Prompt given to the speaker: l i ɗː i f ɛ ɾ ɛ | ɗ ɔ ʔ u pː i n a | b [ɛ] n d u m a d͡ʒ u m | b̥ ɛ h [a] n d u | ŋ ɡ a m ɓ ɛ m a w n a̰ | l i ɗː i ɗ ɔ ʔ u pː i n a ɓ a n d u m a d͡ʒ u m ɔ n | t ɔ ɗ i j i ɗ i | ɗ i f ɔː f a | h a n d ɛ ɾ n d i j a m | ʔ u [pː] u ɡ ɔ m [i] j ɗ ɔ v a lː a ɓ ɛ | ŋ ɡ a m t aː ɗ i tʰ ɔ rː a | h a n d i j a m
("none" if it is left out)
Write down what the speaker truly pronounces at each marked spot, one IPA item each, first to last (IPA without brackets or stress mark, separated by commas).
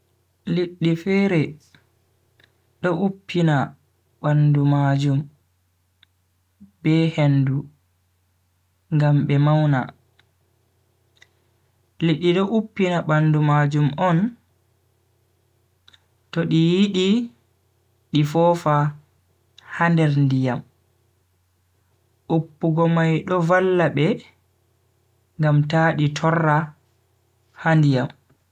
a, e, pː, a